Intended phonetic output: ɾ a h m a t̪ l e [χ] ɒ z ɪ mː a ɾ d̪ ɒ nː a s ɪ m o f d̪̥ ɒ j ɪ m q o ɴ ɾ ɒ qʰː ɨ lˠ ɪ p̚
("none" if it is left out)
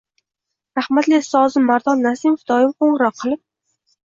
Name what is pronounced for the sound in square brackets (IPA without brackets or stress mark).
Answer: s